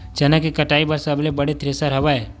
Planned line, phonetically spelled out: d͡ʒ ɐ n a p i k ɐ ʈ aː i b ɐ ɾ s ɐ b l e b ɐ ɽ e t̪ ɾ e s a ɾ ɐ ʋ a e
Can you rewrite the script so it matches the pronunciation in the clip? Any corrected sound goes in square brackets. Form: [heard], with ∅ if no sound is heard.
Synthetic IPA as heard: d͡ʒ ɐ n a [k] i k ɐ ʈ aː i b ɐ ɾ s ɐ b l e b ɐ ɽ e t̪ ɾ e s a ɾ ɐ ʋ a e

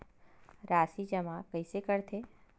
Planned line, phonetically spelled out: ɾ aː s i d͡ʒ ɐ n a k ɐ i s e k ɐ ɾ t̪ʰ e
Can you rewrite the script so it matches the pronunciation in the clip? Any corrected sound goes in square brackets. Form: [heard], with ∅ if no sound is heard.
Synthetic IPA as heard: ɾ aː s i d͡ʒ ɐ [m] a k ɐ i s e k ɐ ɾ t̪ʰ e

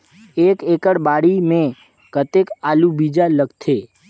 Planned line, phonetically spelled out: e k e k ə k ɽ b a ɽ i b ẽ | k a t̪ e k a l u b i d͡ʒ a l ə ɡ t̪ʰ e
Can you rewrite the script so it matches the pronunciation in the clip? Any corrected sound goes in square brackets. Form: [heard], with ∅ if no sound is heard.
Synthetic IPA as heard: e k e k ə [∅] ɽ b a ɽ i [m] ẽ | k [ə] t̪ e k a l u b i d͡ʒ a l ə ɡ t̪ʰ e

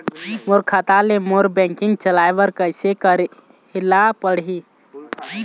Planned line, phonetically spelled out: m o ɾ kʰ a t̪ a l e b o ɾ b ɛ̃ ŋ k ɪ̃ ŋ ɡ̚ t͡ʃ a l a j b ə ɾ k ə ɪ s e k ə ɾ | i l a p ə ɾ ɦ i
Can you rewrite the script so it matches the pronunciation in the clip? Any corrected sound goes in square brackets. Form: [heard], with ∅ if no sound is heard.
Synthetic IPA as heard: m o ɾ kʰ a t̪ a l e [m] o ɾ b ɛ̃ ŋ k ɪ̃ ŋ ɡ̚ t͡ʃ [ə] l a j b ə ɾ k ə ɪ s e k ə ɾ | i l a p ə [ɽ] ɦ i

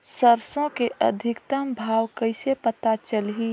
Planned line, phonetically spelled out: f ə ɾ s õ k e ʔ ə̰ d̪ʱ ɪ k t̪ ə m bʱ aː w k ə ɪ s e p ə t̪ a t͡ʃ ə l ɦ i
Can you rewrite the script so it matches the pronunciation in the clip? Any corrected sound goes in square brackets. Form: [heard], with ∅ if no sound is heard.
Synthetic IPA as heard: [s] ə ɾ s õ k e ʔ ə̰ d̪ʱ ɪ k t̪ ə m bʱ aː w k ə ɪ s e p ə t̪ a t͡ʃ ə l ɦ i

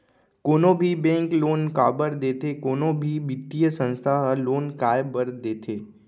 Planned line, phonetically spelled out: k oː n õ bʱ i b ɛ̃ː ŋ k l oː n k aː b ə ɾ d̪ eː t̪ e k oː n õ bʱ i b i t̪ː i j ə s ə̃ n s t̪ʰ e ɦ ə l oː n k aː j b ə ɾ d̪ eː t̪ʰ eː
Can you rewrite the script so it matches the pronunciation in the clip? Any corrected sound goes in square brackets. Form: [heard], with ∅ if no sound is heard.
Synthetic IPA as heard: k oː n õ bʱ i b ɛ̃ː ŋ k l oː n k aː b ə ɾ d̪ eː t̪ e k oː n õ bʱ i b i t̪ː i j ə s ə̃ n s t̪ʰ [a] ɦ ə l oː n k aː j b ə ɾ d̪ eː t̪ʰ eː

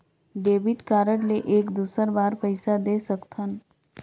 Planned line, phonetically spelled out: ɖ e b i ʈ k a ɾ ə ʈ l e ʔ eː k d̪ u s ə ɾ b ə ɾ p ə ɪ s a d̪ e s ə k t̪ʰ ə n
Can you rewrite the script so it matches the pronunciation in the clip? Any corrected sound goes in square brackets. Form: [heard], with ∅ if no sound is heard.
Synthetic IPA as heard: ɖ e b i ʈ k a ɾ ə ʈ l e ʔ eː k d̪ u s ə ɾ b [a] ɾ p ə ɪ s a d̪ e s ə k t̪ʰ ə n

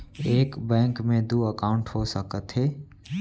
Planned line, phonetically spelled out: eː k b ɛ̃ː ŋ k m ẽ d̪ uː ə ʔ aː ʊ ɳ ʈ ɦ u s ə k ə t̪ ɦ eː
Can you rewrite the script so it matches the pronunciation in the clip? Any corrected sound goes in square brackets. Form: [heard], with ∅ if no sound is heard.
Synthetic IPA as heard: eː k b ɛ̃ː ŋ k m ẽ d̪ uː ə [k] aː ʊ ɳ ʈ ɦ [o] s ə k ə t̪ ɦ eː

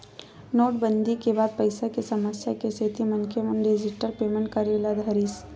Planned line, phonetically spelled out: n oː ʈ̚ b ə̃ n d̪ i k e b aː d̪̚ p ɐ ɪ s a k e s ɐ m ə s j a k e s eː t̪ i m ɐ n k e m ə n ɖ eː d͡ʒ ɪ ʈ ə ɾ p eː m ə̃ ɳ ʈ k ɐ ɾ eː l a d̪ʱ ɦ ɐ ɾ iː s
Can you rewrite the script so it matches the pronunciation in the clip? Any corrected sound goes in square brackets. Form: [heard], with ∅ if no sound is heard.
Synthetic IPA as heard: n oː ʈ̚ b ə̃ n d̪ i k e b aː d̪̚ p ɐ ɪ s a k e s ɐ m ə s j a k e s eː t̪ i m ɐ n k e m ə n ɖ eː d͡ʒ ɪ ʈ ə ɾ p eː m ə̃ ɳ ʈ k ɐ ɾ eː l a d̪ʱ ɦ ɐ ɾ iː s

